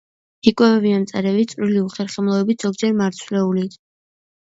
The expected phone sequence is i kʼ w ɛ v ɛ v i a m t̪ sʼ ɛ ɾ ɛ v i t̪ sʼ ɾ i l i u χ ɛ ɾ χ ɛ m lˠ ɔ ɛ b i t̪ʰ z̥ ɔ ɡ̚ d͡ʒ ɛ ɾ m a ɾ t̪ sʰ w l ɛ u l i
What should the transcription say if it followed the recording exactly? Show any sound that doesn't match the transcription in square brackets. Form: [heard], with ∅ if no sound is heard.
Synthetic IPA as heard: i kʼ w ɛ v ɛ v i a m t̪ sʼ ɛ ɾ ɛ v i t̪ sʼ ɾ i l i u χ ɛ ɾ χ ɛ m lˠ ɔ ɛ b i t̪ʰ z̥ ɔ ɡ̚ d͡ʒ ɛ ɾ m a ɾ t̪ sʰ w l ɛ u l i